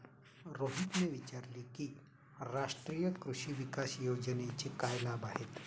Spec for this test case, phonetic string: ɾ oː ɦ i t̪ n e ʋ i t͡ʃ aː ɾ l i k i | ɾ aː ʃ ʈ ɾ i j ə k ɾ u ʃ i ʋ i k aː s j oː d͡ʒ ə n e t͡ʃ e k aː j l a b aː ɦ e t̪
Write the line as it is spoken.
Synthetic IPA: ɾ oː ɦ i t̪ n e ʋ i t͡ʃ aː ɾ l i k i | ɾ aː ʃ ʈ ɾ i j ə k ɾ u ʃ i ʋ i k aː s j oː d͡ʒ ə n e t͡ʃ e k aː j l a b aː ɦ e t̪